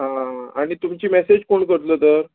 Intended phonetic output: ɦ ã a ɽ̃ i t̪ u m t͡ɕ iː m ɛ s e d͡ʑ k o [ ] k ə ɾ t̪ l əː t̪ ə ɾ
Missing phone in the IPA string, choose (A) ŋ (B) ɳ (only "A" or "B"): B